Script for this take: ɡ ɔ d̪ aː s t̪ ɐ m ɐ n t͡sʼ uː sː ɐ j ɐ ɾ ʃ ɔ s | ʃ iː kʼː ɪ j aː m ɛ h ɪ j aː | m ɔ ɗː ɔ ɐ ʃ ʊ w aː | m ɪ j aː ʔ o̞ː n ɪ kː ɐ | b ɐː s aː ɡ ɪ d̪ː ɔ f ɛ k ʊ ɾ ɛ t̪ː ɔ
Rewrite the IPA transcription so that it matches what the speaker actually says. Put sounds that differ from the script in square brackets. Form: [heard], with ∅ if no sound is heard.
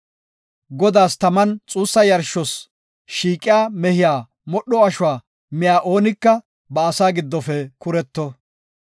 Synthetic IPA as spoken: ɡ ɔ d̪ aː s t̪ ɐ m ɐ n t͡sʼ uː sː ɐ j ɐ ɾ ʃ ɔ s | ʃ iː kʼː ɪ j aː m ɛ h ɪ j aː | m ɔ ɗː ɔ ɐ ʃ ʊ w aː | m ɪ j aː ʔ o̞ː n ɪ kː ɐ | b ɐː s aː ɡ ɪ d̪ː ɔ f ɛ k ʊ ɾ ɛ t̪ː ɔ